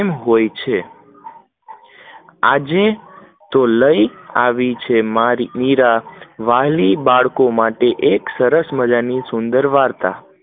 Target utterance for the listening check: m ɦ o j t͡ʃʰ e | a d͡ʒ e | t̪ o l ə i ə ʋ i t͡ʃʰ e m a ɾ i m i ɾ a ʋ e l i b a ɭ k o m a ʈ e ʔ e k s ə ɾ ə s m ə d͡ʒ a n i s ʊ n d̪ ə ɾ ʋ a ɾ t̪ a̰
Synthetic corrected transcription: m ɦ o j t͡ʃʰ e | a d͡ʒ e | t̪ o l ə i a ʋ i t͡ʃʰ e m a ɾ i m i ɾ a ʋ a l i b a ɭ k o m a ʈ e ʔ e k s ə ɾ ə s m ə d͡ʒ a n i s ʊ n d̪ ə ɾ ʋ a ɾ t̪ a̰